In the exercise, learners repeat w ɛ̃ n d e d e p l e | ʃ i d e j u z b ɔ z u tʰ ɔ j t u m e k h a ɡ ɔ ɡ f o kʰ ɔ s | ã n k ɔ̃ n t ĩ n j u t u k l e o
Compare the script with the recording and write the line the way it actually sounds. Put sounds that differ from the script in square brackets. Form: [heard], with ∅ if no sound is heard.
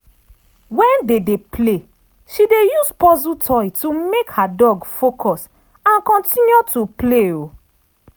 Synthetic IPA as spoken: w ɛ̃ n d e d e p l e | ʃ i d e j u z [p] ɔ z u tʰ ɔ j t u m e k h a [d] ɔ ɡ f o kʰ ɔ s | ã n k ɔ̃ n t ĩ n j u t u [p] l e o